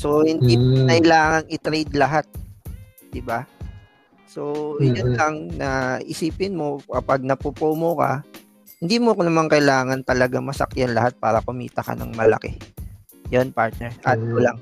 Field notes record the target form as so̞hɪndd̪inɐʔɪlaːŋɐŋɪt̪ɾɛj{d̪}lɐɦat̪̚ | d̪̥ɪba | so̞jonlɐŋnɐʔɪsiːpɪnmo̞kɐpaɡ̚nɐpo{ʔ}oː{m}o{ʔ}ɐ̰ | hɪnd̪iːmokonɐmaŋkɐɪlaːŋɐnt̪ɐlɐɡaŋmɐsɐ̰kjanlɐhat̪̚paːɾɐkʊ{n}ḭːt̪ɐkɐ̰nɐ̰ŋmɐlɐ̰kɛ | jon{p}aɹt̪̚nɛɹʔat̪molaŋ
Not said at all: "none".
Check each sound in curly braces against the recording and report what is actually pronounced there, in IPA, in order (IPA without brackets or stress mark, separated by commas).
d̪, p, m, k, m, p